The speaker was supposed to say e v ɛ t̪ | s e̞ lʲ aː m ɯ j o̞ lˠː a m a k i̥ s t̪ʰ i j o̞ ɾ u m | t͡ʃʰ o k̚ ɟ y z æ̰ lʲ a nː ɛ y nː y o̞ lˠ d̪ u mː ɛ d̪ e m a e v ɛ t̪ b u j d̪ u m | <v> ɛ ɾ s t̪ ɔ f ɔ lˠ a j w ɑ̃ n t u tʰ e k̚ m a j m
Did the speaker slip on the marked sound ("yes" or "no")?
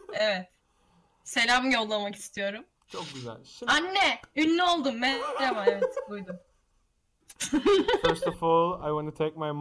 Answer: yes